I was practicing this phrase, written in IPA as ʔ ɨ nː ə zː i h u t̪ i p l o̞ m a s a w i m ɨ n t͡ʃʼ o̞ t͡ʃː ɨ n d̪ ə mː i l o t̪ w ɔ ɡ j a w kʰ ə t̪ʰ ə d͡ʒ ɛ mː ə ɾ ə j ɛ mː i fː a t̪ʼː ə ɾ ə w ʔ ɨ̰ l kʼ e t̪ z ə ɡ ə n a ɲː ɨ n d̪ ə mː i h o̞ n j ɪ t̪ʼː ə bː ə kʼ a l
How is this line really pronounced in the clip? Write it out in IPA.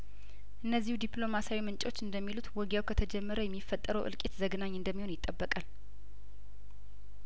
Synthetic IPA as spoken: ʔ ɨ nː ə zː i h u d̪ i p l o̞ m a s a w i m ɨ n t͡ʃʼ o̞ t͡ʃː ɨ n d̪ ə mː i l u t̪ w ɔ ɡ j a w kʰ ə t̪ʰ ə d͡ʒ ɛ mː ə ɾ ə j ɛ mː i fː ə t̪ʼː ə ɾ ə w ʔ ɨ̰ l kʼ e t̪ z ə ɡ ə n a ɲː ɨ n d̪ ə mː i h o̞ n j ɪ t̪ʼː ə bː ə kʼ a l